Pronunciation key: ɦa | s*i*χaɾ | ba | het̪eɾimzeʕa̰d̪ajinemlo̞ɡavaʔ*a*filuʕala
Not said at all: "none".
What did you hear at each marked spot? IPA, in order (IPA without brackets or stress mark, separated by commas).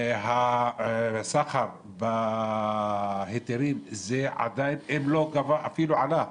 a, a